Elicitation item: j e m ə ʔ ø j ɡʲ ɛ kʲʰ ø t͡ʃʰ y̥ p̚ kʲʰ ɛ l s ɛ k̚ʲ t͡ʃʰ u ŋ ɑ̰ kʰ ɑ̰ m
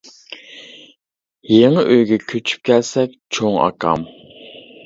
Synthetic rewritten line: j e ŋ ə ʔ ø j ɡʲ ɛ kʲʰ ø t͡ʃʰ y̥ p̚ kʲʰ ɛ l s ɛ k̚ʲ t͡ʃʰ o ŋ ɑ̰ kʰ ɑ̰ m